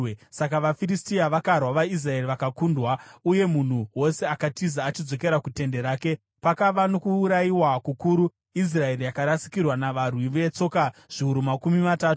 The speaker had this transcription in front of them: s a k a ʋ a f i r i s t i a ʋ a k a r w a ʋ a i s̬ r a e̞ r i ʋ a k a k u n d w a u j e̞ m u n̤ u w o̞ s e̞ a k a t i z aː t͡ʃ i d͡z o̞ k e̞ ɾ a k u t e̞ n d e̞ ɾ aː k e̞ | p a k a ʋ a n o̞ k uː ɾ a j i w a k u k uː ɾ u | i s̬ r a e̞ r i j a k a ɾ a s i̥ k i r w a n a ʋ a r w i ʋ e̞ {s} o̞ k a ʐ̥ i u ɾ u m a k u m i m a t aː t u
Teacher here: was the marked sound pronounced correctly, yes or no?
no